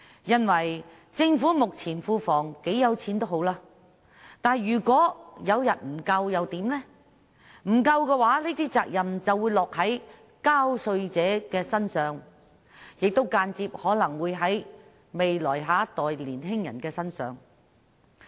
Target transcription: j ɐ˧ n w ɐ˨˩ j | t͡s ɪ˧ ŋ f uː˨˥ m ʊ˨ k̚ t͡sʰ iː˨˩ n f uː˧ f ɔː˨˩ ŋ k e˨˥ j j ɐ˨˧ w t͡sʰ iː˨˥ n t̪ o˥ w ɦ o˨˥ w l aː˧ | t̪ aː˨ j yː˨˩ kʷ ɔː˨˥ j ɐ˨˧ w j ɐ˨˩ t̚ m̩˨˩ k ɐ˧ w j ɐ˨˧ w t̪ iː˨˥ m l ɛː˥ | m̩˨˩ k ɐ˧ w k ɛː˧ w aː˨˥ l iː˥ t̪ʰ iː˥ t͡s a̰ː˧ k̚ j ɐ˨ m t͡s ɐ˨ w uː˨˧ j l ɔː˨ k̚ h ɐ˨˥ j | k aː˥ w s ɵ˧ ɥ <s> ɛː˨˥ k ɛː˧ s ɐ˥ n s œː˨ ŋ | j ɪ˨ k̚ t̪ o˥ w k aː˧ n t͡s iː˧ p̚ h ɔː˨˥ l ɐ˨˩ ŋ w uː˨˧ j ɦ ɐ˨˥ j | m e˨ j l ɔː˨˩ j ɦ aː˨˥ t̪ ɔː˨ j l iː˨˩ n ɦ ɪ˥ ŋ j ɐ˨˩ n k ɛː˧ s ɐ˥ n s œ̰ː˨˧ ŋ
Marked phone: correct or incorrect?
incorrect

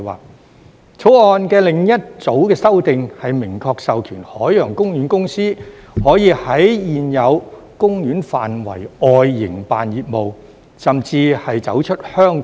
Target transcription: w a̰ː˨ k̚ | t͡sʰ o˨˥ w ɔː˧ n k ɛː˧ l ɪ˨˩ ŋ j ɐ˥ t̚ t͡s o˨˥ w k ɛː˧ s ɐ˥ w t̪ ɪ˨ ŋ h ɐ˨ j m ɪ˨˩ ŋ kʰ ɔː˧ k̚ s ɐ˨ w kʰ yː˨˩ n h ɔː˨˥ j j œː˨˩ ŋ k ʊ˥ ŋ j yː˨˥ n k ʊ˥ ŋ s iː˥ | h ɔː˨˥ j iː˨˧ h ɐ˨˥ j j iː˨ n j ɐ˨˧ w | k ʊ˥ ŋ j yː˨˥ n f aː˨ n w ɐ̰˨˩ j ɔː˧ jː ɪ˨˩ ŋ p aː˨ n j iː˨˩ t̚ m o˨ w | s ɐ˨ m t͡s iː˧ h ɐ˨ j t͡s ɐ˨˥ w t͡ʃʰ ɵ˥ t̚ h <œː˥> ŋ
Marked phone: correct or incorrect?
correct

